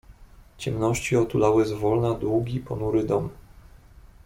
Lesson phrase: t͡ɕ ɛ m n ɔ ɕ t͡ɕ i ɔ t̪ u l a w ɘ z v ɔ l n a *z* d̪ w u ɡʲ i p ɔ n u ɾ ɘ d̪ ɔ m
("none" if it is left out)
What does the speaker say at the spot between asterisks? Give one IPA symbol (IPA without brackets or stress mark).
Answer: none